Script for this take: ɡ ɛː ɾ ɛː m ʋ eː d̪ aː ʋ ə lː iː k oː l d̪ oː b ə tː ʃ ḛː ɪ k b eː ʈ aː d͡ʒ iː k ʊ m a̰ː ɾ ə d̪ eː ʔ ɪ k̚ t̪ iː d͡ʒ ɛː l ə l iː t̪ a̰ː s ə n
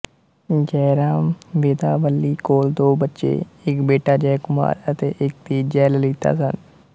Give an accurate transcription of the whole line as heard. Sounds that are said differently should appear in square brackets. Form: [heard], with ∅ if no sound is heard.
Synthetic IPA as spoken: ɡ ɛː ɾ [aː] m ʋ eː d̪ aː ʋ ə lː iː k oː l d̪ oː b ə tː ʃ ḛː ɪ k b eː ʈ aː d͡ʒ [ɛː] k ʊ m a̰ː ɾ ə [t̪] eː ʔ ɪ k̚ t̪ iː d͡ʒ ɛː l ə l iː t̪ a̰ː s ə n